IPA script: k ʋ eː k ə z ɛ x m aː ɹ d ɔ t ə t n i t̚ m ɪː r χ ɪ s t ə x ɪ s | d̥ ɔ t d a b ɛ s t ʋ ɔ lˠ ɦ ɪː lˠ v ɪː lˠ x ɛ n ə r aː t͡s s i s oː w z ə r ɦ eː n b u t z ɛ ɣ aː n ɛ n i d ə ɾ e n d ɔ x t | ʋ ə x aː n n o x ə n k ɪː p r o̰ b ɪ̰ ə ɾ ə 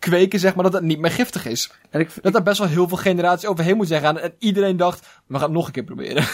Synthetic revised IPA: k ʋ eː k ə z ɛ x m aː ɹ d ɔ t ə t n i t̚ m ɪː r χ ɪ f t ə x ɪ s | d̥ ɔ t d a b ɛ s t ʋ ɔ lˠ ɦ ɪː lˠ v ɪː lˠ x e n ə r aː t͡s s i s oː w v ə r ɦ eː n m u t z ɛ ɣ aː n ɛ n i d ə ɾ e n d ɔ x t | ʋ ə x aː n n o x ə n k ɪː p r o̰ b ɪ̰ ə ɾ ə